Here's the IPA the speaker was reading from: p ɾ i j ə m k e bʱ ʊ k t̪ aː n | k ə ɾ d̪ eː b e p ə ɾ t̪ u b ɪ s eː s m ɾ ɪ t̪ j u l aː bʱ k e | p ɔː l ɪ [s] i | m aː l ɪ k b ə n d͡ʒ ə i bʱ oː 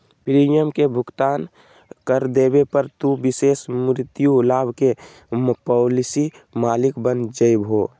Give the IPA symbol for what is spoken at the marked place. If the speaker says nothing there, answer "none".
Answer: s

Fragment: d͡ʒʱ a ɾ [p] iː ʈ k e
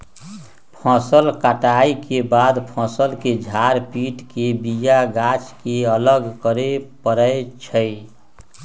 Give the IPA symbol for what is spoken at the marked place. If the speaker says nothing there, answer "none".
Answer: p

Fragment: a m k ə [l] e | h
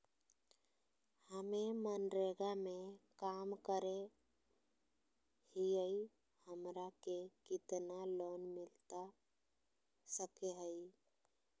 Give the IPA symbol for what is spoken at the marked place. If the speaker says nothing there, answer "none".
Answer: ɾ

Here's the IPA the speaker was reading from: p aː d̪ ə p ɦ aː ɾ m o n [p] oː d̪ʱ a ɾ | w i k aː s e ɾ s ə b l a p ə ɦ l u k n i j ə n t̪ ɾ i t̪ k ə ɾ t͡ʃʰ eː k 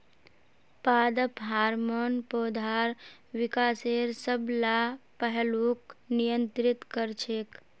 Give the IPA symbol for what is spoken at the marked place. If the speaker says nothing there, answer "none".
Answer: p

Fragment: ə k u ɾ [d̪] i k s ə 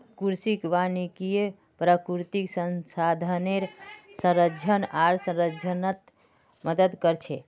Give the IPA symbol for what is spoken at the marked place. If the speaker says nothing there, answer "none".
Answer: t̪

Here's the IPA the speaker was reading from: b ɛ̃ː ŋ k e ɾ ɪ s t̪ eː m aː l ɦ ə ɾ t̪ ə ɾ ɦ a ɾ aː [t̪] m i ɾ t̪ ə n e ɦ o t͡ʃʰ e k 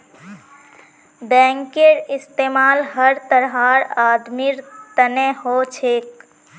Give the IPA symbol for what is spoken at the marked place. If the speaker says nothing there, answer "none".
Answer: d̪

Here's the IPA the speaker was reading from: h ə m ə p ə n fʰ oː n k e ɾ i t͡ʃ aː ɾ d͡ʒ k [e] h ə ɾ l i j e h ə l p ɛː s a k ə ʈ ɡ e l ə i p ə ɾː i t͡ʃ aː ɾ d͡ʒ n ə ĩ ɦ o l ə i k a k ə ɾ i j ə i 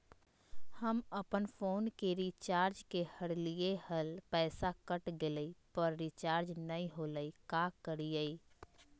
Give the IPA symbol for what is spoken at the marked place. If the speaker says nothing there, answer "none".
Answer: e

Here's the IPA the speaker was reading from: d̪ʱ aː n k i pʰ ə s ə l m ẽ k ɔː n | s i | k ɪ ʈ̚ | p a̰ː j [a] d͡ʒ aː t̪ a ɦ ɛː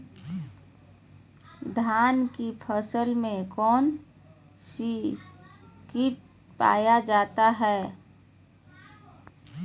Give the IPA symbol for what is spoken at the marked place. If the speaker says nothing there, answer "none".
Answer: a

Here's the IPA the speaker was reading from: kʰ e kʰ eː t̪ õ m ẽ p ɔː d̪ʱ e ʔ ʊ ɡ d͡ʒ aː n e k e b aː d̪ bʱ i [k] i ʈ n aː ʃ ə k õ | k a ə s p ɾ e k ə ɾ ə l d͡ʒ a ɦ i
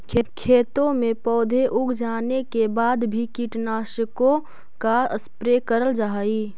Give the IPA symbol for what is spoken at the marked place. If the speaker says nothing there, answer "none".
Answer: k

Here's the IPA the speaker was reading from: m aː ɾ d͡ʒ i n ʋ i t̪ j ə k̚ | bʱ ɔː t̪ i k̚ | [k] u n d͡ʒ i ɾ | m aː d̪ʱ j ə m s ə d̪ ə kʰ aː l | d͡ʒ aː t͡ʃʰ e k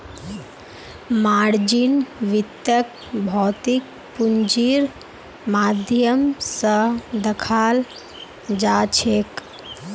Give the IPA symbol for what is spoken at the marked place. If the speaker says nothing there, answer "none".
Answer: p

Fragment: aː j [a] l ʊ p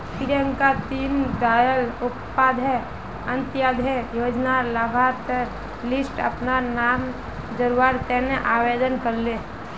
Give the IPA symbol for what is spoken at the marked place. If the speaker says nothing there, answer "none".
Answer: ə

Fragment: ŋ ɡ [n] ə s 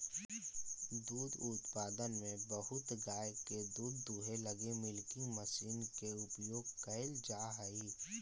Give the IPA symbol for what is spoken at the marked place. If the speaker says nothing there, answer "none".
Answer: m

